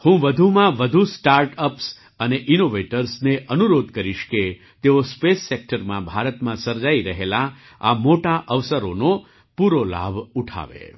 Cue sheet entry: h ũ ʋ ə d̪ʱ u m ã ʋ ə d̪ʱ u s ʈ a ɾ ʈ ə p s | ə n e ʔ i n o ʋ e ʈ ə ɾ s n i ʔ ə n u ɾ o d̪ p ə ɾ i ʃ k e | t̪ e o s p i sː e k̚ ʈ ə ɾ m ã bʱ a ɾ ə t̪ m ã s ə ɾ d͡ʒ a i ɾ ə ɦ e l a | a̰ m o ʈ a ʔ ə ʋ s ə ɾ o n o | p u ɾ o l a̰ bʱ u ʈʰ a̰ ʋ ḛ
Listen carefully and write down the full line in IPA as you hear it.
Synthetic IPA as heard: h ũ ʋ ə d̪ʱ u m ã ʋ ə d̪ʱ u s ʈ a ɾ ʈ ə p s | ə n e ʔ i n o ʋ e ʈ ə ɾ s n e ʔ ə n u ɾ o d̪ k ə ɾ i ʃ k e | t̪ e o s p e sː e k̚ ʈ ə ɾ m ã bʱ a ɾ ə t̪ m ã s ə ɾ d͡ʒ a i ɾ ə ɦ e l a | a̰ m o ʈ a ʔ ə ʋ s ə ɾ o n o | p u ɾ o l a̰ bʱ u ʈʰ a̰ ʋ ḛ